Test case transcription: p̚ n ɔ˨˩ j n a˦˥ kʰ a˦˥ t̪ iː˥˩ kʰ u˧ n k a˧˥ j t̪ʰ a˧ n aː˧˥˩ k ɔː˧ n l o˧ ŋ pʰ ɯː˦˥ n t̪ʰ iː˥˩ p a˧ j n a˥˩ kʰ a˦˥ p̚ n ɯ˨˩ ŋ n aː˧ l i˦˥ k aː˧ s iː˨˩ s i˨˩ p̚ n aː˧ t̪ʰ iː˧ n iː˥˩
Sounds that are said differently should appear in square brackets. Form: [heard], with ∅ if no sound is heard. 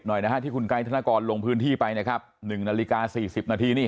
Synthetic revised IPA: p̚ n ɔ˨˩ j n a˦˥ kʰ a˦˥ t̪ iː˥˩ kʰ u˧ n k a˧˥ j t̪ʰ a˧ n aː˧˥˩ k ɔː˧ n l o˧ ŋ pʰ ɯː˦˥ n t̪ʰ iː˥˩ p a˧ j n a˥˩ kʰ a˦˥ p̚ n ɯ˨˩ ŋ n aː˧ l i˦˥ k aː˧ s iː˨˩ s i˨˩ p̚ n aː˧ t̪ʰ iː˧ n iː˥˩

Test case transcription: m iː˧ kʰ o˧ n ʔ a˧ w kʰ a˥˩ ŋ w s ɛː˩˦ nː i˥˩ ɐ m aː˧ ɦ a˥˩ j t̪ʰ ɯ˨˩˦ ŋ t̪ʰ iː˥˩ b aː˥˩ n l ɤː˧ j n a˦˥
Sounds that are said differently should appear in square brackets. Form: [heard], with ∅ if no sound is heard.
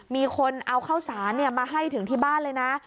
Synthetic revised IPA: m iː˧ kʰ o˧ n ʔ a˧ w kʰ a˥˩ [∅] w s [aː˩˦] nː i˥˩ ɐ m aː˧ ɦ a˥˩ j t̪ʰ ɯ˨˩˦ ŋ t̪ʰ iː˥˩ b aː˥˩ n l ɤː˧ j n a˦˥

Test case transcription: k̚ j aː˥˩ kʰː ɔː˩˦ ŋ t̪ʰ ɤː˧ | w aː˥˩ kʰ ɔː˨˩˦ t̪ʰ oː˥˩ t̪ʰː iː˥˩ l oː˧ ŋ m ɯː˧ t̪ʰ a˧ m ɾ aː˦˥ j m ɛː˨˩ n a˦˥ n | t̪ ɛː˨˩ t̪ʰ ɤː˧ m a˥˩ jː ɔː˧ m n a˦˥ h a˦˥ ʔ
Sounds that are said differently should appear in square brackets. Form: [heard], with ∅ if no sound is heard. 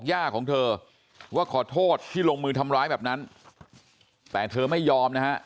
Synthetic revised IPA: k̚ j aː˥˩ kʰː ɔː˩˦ ŋ t̪ʰ ɤː˧ | w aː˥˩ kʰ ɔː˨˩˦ t̪ʰ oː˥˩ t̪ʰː iː˥˩ l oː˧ ŋ m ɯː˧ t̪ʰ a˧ m ɾ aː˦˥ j [b] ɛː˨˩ n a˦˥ n | t̪ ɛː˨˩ t̪ʰ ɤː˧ m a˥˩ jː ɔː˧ m n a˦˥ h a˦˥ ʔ

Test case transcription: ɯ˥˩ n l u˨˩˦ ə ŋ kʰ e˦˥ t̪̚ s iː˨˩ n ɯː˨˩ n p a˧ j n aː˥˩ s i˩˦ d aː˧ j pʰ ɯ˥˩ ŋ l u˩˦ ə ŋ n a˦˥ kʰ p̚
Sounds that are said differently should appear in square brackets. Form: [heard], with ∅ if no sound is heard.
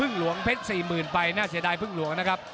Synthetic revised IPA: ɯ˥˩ [ŋ] l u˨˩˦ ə ŋ [pʰ] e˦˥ t̪̚ s iː˨˩ [m] ɯː˨˩ n p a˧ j n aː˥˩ s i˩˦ d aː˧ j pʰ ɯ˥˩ ŋ l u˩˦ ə ŋ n a˦˥ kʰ p̚

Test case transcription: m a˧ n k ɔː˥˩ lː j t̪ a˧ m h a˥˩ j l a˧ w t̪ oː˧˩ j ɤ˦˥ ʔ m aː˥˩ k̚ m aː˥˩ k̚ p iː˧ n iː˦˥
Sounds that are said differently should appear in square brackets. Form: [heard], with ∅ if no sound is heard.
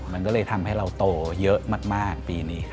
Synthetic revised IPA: m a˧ n k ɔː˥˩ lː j [t̪ʰ] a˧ m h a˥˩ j [ɾ] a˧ w t̪ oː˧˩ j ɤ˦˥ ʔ m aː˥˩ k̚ m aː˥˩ k̚ p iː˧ n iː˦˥

